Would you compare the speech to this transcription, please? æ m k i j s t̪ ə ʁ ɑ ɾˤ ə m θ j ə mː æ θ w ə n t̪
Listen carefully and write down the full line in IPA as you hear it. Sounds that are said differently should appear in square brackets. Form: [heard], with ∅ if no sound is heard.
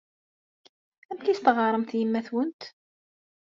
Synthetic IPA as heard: æ m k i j s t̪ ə ʁ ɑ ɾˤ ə m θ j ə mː æ θ w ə n t̪